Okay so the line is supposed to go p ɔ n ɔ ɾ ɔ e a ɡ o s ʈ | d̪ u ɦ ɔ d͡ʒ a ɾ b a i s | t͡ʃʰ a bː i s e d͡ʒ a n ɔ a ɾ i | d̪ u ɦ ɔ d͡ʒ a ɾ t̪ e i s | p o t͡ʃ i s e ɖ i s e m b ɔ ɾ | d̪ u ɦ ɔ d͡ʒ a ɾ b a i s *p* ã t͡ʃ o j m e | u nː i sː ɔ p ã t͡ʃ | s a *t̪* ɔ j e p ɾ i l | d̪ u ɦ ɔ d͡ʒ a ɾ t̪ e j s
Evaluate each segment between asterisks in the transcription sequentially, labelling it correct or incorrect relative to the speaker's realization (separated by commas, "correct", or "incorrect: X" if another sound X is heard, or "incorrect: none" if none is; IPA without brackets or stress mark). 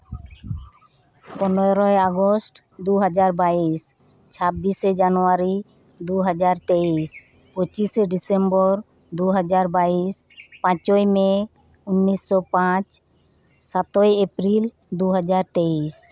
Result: correct, correct